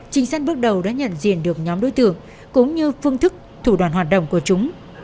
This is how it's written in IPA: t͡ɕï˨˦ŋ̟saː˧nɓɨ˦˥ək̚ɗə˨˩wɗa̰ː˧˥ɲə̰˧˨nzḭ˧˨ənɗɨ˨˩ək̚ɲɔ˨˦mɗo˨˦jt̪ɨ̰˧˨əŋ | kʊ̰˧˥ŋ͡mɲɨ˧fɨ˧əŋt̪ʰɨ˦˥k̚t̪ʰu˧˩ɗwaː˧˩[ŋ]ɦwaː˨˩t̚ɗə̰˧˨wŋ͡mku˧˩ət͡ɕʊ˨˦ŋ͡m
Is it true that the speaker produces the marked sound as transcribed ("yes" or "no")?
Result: no